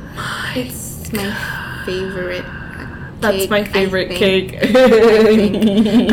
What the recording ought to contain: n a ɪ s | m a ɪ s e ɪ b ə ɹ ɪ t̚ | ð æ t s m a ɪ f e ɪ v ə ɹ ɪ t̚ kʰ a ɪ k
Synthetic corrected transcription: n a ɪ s | m a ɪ f e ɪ v ə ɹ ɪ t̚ | ð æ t s m a ɪ f e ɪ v ə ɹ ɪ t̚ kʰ e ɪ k